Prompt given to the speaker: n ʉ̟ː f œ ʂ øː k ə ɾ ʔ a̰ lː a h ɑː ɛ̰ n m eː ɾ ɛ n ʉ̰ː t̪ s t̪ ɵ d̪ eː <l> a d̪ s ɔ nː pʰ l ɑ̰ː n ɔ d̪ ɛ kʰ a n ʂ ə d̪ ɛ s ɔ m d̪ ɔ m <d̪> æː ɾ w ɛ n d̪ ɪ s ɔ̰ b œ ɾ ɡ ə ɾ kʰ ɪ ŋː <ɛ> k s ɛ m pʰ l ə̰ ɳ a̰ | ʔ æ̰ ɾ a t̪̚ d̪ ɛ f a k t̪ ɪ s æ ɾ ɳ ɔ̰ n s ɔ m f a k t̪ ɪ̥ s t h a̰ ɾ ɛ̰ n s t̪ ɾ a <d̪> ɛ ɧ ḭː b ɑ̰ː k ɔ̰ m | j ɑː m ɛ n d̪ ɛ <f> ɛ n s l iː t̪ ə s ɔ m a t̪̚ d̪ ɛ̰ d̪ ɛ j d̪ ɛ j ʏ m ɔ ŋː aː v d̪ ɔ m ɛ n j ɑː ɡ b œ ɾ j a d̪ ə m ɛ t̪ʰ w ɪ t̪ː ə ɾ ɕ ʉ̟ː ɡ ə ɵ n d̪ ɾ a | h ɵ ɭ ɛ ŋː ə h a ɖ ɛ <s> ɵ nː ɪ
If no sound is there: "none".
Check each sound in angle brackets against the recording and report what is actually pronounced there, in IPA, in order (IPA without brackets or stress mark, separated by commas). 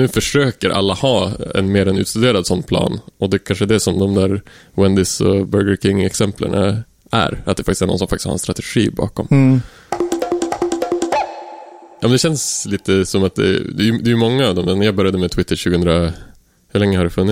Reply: ɾ, d̪, ɛ, t̪, ɕ, f